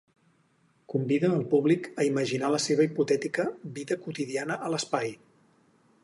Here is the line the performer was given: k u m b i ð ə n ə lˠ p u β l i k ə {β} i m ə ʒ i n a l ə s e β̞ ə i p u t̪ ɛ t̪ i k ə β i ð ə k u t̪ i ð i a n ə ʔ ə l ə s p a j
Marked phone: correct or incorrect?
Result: incorrect